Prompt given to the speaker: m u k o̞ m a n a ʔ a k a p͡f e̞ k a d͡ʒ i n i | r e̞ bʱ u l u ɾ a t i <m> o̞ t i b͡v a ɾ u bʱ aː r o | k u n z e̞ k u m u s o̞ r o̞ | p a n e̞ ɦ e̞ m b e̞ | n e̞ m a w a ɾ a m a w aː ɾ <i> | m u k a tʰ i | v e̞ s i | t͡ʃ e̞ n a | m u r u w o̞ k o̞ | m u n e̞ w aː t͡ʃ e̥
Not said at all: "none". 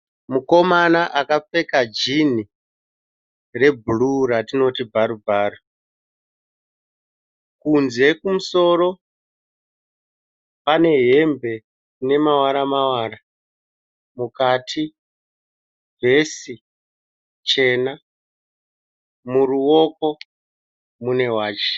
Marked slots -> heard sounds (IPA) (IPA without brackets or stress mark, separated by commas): n, a